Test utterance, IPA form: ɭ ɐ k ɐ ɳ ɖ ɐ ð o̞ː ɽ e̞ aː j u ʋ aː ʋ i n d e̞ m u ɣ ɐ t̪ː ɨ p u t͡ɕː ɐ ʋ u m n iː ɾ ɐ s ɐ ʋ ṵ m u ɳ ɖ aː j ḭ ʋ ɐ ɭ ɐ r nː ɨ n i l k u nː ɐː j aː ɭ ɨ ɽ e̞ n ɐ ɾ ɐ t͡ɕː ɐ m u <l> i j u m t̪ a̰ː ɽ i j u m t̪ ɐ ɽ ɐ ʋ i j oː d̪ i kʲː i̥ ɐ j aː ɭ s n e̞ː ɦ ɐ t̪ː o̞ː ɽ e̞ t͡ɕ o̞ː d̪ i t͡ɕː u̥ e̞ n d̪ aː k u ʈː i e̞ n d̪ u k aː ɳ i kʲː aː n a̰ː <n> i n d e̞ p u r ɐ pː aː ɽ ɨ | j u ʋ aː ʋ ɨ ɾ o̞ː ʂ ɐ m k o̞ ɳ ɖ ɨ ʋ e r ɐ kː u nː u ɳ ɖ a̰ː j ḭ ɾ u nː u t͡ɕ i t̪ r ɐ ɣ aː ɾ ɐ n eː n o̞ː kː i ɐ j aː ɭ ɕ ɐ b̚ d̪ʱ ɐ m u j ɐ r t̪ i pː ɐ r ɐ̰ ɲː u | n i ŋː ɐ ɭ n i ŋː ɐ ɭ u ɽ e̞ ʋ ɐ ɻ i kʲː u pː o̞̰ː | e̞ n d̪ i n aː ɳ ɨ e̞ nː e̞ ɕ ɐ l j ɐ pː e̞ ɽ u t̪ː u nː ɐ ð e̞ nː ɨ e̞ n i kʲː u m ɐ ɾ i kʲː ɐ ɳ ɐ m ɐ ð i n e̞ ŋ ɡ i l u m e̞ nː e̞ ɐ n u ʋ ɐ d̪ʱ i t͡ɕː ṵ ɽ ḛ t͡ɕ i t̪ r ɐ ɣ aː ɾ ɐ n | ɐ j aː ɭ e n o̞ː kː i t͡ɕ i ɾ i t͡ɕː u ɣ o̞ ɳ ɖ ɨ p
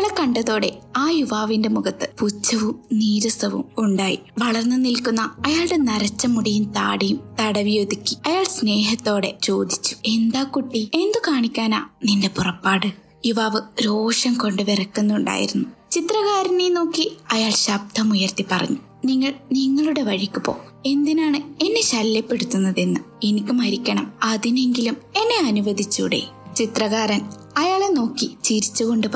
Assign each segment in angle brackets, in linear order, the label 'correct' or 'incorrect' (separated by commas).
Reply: incorrect, correct